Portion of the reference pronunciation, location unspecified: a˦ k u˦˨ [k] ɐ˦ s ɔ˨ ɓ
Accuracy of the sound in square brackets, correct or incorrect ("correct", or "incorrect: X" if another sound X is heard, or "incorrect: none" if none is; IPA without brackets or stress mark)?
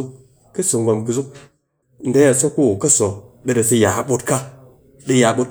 correct